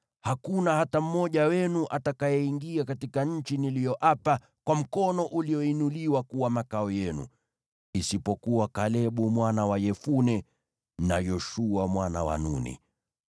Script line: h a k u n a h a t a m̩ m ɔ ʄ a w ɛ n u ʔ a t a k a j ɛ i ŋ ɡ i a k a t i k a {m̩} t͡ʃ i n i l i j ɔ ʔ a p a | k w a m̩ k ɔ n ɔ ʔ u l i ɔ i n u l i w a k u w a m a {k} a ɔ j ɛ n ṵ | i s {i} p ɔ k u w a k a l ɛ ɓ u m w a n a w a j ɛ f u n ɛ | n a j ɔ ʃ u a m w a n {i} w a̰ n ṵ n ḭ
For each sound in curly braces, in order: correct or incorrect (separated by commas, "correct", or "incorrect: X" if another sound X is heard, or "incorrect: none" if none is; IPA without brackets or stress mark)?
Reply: incorrect: ɲ̩, correct, correct, incorrect: a